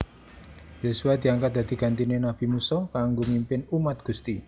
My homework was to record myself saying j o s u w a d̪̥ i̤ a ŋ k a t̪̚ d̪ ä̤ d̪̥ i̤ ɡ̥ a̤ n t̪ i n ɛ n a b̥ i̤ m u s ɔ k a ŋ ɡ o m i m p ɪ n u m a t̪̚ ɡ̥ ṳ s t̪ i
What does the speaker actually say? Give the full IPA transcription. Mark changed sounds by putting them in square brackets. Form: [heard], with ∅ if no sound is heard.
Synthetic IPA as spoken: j o s u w a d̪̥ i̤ a ŋ k a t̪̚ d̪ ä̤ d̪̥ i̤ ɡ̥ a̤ n t̪ i n [e] n a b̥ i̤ m u s ɔ k a ŋ ɡ o m i m p ɪ n u m a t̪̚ ɡ̥ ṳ s t̪ i